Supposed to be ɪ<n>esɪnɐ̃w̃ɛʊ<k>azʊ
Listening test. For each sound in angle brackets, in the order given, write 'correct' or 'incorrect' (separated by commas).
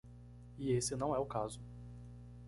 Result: incorrect, correct